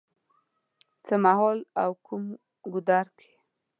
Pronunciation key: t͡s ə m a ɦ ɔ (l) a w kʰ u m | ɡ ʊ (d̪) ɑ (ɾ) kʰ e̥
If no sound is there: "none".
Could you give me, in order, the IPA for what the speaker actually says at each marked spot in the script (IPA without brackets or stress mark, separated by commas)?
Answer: l, d̪, ɾ